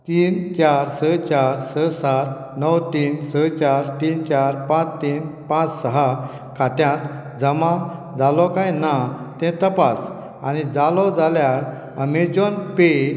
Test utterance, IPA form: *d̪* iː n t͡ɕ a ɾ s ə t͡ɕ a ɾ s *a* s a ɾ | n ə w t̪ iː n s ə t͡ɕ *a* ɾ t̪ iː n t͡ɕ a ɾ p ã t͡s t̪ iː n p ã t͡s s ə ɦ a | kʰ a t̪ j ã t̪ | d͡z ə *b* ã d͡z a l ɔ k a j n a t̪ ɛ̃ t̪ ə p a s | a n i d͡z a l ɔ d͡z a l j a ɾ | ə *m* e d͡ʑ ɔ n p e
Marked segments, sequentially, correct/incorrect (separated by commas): incorrect, incorrect, correct, incorrect, correct